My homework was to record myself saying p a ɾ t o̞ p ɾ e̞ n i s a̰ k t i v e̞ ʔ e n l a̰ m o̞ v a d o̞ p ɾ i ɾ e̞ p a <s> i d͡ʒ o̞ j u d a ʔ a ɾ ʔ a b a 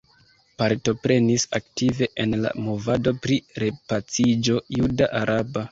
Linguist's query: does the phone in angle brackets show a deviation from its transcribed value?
yes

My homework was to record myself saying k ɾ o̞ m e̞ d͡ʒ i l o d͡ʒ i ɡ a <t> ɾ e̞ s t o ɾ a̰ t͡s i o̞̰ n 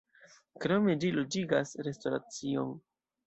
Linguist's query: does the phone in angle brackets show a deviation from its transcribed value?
yes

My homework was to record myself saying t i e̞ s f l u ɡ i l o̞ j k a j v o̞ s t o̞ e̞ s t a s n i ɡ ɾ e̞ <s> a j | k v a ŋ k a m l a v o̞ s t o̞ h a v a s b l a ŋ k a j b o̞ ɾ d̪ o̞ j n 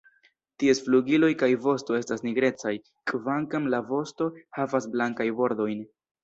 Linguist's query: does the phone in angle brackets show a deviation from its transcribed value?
yes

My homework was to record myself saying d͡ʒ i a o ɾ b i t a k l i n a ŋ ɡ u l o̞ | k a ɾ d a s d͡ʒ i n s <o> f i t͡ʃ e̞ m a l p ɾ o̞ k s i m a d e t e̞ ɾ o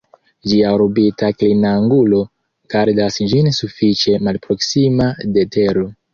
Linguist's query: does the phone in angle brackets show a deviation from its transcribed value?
yes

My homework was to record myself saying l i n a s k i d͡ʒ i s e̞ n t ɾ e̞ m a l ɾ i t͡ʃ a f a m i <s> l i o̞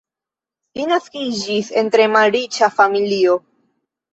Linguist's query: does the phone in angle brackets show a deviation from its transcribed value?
yes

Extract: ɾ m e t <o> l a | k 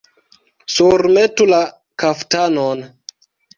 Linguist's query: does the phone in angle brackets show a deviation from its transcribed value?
yes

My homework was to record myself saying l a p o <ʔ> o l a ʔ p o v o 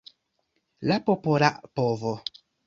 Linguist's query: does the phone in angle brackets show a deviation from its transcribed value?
yes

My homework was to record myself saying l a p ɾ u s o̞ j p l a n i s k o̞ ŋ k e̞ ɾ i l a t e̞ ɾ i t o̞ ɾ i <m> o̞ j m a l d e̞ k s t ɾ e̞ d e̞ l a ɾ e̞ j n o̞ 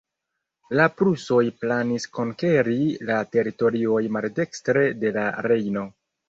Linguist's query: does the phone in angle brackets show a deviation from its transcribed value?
yes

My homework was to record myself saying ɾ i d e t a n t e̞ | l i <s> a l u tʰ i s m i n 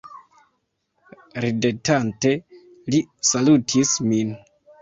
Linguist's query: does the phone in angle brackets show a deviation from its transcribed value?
no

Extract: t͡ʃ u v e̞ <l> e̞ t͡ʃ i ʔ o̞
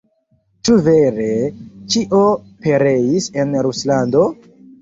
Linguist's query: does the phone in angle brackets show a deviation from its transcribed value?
yes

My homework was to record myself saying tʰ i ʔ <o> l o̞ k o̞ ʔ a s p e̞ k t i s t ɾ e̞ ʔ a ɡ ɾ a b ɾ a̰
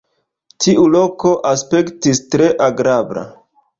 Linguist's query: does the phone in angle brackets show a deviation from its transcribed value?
yes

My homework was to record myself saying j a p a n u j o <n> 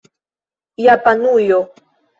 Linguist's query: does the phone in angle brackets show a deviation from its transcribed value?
yes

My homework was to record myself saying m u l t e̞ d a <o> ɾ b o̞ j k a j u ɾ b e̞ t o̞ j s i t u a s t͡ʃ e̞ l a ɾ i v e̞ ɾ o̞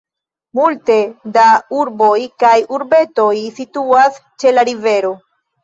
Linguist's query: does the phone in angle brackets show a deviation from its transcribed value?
yes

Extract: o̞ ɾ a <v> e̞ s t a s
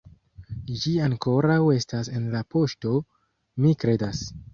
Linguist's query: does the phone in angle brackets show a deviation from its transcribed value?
yes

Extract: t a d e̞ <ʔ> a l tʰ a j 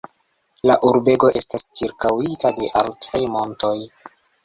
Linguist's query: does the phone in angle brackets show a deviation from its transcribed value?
no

